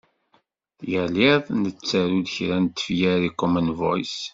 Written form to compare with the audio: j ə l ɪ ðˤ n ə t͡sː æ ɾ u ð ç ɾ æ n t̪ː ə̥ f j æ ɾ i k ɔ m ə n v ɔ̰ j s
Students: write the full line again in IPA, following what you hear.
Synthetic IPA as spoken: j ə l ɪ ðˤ n ə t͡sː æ ɾ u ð ç ɾ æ n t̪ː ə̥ f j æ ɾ i k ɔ m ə n v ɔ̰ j s

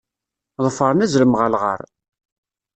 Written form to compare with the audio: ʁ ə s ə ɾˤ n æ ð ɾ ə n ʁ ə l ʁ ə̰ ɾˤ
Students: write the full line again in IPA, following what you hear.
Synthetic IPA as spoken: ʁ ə f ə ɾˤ n æ z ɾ ə m ʁ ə l ʁ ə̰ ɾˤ

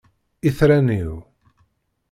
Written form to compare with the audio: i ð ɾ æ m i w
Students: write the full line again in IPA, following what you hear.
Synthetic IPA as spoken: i θ ɾ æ n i w

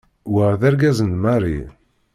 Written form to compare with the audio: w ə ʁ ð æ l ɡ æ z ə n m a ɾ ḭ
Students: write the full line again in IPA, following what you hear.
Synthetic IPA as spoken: w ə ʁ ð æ ɾ ɡ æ z ə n m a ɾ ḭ

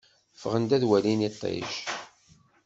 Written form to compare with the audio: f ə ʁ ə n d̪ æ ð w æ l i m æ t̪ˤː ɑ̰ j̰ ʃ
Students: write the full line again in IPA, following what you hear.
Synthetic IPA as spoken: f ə ʁ ə n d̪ æ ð w æ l i n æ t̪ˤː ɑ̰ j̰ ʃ

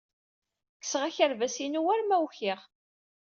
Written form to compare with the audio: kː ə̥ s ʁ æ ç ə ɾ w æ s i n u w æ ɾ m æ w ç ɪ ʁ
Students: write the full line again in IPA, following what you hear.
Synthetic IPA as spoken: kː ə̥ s ʁ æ ç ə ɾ v æ s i n u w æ ɾ m æ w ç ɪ ʁ

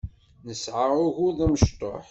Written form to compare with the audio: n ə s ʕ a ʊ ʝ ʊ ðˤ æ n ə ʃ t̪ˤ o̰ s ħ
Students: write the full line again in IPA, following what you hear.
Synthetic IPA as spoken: n ə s ʕ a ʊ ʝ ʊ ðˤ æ m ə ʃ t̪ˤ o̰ ħ

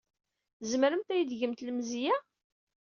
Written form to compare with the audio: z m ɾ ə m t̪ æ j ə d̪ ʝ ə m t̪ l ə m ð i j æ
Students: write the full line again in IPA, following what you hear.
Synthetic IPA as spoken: z m ɾ ə m t̪ æ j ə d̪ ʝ ə m t̪ l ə m z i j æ

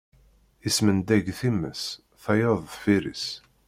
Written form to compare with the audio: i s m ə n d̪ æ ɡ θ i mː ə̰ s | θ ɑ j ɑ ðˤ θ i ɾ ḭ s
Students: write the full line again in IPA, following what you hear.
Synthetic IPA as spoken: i s m ə n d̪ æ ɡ θ i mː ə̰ s | θ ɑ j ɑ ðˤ f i ɾ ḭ s

